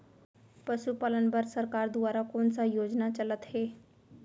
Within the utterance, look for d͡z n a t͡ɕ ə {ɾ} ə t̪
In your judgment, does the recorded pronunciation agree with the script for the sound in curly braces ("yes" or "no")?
no